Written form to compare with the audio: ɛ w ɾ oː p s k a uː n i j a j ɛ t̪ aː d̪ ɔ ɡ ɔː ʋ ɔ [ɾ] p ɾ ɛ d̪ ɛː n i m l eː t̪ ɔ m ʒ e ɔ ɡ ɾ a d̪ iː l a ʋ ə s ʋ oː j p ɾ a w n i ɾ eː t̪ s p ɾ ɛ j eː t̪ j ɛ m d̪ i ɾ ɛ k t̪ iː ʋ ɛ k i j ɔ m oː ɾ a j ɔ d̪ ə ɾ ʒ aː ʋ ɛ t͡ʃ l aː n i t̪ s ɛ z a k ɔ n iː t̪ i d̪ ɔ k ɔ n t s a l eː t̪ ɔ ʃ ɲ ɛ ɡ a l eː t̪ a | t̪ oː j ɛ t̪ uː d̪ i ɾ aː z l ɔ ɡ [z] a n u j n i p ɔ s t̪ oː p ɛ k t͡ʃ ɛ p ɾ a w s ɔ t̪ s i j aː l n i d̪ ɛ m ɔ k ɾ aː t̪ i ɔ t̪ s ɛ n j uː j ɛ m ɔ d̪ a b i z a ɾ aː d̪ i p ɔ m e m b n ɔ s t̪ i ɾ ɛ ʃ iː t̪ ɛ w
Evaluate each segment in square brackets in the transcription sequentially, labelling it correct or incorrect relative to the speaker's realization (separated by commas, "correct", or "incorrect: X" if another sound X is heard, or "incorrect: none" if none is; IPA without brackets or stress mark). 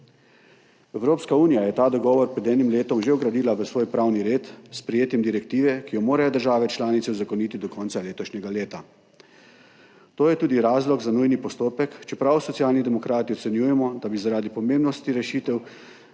correct, correct